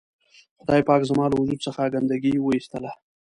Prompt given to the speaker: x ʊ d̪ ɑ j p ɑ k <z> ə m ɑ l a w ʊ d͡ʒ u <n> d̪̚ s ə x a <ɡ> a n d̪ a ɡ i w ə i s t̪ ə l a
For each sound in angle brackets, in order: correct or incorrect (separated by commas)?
correct, incorrect, correct